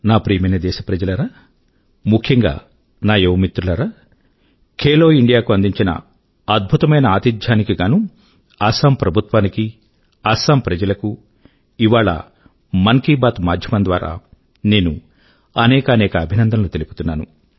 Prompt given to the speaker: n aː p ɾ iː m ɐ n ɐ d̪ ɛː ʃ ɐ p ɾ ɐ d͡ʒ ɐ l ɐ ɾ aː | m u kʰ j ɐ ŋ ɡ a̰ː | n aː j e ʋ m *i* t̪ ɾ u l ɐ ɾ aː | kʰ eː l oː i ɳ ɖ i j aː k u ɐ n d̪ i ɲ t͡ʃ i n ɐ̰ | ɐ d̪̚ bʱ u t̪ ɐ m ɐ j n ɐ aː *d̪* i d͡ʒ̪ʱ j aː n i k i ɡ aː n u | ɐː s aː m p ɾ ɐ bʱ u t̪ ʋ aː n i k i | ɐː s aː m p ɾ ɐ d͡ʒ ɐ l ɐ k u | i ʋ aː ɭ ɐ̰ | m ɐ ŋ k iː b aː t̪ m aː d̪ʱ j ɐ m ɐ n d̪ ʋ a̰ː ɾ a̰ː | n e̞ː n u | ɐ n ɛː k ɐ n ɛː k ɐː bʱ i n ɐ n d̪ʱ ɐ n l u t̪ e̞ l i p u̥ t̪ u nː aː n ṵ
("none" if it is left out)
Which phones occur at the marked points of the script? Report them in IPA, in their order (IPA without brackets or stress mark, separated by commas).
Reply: i, t̪